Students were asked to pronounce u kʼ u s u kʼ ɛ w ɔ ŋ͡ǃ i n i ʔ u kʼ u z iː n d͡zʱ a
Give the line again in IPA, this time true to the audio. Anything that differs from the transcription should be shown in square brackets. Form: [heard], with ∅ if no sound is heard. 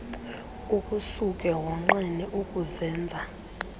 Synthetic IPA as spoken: u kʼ u s u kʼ ɛ w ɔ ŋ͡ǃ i n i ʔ u kʼ u z [ɛː] n d͡zʱ a